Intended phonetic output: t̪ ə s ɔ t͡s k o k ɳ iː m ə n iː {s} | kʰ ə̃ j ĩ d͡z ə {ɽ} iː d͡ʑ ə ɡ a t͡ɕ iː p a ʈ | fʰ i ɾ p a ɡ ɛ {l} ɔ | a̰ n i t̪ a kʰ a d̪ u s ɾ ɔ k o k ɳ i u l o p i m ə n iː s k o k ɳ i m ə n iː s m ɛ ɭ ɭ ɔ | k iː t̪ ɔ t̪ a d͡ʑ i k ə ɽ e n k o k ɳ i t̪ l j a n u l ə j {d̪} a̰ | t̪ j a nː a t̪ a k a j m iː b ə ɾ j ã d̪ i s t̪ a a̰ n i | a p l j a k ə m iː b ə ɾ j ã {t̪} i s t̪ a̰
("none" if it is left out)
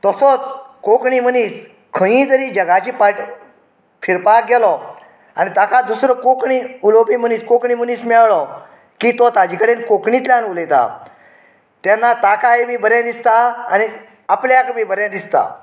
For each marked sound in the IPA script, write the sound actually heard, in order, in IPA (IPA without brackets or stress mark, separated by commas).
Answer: s, ɾ, l, t̪, d̪